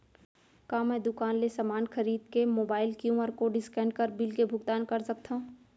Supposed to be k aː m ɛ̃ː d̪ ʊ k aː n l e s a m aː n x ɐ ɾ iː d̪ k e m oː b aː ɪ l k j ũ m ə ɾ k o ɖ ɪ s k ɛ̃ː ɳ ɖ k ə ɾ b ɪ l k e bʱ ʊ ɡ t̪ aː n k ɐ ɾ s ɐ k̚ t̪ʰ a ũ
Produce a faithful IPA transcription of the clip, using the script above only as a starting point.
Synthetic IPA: k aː m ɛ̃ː d̪ ʊ k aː n l e s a m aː n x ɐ ɾ iː d̪ k e m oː b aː ɪ l k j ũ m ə ɾ k o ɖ ɪ s k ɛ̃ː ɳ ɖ k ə ɾ b ɪ l k e bʱ ʊ ɡ t̪ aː n k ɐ ɾ s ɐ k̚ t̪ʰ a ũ